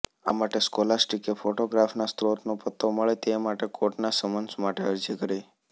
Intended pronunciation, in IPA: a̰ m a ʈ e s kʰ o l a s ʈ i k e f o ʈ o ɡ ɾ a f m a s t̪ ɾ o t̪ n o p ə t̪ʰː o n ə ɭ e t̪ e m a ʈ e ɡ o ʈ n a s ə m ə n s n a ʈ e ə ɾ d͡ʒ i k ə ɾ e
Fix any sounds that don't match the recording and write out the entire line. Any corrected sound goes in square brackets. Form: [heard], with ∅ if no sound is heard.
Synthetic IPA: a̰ m a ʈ e s [k] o l a s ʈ i k e f o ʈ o ɡ ɾ a f [n] a s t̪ ɾ o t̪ n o p ə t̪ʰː o [m] ə ɭ e t̪ e m a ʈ e [k] o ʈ n a s ə m ə n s [m] a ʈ e ə ɾ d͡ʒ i k ə ɾ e